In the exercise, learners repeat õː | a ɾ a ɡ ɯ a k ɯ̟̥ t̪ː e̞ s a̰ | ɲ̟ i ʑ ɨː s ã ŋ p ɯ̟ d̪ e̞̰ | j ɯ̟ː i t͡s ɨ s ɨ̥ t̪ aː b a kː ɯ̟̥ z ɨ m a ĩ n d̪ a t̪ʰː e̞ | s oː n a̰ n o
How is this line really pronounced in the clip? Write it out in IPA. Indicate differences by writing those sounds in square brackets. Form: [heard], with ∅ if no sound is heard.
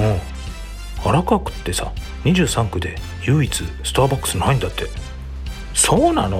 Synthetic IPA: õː | a ɾ a [k] ɯ a k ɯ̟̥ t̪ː e̞ s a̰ | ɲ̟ i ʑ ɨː s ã ŋ [k] ɯ̟ d̪ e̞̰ | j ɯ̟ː i t͡s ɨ s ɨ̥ t̪ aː b a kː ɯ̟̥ [s] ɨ [n] a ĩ n d̪ a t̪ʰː e̞ | s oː n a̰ n o